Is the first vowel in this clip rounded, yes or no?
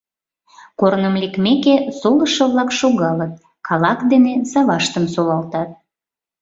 yes